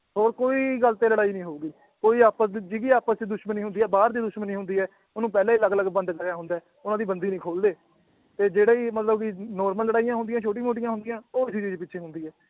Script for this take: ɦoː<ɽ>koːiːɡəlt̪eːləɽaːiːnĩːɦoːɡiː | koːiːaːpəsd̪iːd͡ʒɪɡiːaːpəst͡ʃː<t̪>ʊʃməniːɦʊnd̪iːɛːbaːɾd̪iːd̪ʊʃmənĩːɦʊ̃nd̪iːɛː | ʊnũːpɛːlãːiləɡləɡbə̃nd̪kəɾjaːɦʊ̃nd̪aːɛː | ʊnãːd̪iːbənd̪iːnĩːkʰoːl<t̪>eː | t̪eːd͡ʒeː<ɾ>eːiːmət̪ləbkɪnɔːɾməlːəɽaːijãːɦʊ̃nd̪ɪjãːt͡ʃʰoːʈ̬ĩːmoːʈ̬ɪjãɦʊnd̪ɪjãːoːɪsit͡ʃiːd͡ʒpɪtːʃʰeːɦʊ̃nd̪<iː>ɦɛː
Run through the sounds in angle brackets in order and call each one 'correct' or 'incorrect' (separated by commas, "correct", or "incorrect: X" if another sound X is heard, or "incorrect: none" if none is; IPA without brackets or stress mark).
incorrect: ɾ, incorrect: d̪, incorrect: d̪, incorrect: ɽ, correct